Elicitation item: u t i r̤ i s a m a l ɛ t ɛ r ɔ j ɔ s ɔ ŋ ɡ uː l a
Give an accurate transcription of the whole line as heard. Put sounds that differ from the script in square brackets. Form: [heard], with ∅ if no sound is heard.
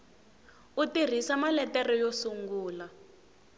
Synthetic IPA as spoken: u t i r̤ i s a m a l ɛ t ɛ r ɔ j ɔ s [u] ŋ ɡ uː l a